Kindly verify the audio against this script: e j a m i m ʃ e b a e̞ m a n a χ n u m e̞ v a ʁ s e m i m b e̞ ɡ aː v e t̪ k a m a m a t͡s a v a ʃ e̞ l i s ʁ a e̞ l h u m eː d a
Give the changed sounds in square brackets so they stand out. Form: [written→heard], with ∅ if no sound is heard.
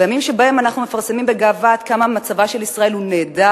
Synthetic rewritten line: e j a m i m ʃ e b a e̞ m a n a χ n u m e̞ [v→f] a ʁ s e m i m b e̞ ɡ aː v [e→a] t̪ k a m a m a t͡s a v a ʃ e̞ l i s ʁ a e̞ l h u [m→n] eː d a